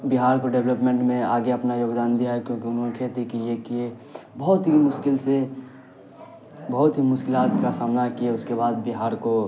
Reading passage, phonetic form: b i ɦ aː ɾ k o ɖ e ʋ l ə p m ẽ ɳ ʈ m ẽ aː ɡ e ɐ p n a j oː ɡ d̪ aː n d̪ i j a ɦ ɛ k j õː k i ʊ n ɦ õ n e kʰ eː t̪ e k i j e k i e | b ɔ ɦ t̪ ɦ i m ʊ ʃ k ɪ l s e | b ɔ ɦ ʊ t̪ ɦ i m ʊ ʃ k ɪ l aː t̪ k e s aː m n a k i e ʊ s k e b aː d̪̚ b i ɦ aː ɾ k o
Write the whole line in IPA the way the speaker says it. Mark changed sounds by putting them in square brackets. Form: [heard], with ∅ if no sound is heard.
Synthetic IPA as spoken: b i ɦ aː ɾ k o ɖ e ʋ l ə p m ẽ ɳ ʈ m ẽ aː ɡ e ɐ p n a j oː ɡ d̪ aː n d̪ i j a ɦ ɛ k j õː k i ʊ n ɦ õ n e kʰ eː t̪ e k i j e k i e | b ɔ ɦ t̪ ɦ i m ʊ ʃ k ɪ l s e | b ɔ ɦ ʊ t̪ ɦ i m ʊ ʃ k ɪ l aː t̪ k [a] s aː m n a k i e ʊ s k e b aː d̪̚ b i ɦ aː ɾ k o

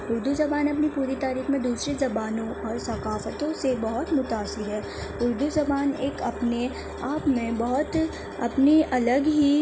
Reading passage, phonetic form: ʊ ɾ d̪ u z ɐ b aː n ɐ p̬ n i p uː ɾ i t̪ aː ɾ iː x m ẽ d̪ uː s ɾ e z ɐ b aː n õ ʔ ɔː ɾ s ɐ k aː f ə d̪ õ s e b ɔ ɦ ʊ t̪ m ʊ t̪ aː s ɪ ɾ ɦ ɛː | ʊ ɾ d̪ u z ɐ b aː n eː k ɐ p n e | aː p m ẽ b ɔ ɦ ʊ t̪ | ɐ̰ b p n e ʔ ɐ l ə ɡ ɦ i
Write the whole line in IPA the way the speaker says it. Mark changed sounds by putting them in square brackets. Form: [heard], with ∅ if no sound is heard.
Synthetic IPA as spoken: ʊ ɾ d̪ u z ɐ b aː n ɐ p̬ n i p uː ɾ i t̪ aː ɾ iː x m ẽ d̪ uː s ɾ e z ɐ b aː n õ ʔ ɔː ɾ s ɐ k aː f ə [t̪] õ s e b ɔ ɦ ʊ t̪ m ʊ t̪ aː s ɪ ɾ ɦ ɛː | ʊ ɾ d̪ u z ɐ b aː n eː k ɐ p n e | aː p m ẽ b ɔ ɦ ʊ t̪ | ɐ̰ [∅] p n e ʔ ɐ l ə ɡ ɦ i

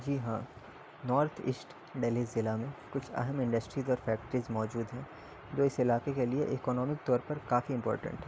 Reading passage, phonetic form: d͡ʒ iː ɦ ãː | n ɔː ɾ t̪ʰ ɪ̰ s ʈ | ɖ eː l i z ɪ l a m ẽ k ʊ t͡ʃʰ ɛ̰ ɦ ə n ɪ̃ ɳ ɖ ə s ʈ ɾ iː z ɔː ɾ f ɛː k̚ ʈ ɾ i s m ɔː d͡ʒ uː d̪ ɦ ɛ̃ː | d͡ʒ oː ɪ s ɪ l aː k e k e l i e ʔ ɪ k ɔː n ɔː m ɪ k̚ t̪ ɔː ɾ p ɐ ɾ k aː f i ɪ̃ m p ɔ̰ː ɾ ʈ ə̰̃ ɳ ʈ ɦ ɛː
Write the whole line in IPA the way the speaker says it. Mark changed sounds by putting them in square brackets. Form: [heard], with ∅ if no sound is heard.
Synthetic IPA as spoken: d͡ʒ iː ɦ ãː | n ɔː ɾ t̪ʰ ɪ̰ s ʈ | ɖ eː l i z ɪ l a m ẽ k ʊ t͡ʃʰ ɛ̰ ɦ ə [m] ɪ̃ ɳ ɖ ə s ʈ ɾ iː z ɔː ɾ f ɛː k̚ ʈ ɾ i [z] m ɔː d͡ʒ uː d̪ ɦ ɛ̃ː | d͡ʒ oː ɪ s ɪ l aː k e k e l i e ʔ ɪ k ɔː n ɔː m ɪ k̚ t̪ ɔː ɾ p ɐ ɾ k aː f i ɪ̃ m p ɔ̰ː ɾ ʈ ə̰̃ ɳ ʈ ɦ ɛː

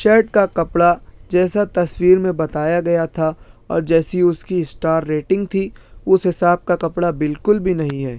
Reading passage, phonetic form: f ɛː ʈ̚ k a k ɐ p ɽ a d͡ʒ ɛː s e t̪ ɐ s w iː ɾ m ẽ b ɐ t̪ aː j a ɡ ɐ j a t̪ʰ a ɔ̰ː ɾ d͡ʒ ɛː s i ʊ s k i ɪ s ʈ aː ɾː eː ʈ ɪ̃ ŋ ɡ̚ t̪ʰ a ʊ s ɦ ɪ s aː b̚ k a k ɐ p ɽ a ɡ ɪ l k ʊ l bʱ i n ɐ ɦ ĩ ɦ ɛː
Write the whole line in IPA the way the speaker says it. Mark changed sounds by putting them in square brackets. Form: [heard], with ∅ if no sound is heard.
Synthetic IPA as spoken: [ʃ] ɛː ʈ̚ k a k ɐ p ɽ a d͡ʒ ɛː s [a] t̪ ɐ s w iː ɾ m ẽ b ɐ t̪ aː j a ɡ ɐ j a t̪ʰ a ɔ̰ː ɾ d͡ʒ ɛː s i ʊ s k i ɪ s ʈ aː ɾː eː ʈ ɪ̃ ŋ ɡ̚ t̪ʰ [i] ʊ s ɦ ɪ s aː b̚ k a k ɐ p ɽ a [b] ɪ l k ʊ l bʱ i n ɐ ɦ ĩ ɦ ɛː

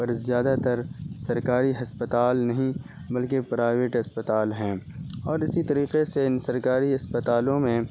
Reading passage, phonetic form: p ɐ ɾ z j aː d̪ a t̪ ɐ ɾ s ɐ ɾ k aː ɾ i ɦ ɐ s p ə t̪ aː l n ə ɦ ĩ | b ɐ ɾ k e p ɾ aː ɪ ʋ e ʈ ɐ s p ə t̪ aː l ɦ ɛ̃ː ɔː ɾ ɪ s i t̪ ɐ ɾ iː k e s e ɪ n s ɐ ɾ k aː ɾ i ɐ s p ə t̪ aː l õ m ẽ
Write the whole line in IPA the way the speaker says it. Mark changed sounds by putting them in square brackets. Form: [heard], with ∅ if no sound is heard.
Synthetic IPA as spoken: p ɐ ɾ z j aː d̪ a t̪ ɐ ɾ s ɐ ɾ k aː ɾ i ɦ ɐ s p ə t̪ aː l n [ɐ] ɦ ĩ | b ɐ [l] k e p ɾ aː ɪ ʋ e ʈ ɐ s p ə t̪ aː l ɦ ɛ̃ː ɔː ɾ ɪ s i t̪ ɐ ɾ iː [q] e s e ɪ n s ɐ ɾ k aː ɾ i ɐ s p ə t̪ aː l õ m ẽ

